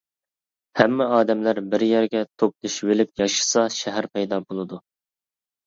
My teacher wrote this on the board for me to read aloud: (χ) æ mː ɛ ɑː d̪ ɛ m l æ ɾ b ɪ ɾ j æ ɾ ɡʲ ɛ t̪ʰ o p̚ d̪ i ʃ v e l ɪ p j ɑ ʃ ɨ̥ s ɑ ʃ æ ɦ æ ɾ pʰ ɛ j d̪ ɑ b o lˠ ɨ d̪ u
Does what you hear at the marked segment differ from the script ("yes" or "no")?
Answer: yes